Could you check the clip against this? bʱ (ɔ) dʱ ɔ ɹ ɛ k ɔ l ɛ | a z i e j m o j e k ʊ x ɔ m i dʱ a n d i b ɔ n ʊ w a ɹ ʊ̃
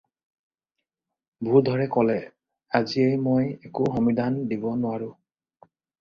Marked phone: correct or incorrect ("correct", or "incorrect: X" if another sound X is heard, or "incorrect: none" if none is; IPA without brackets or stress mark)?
incorrect: u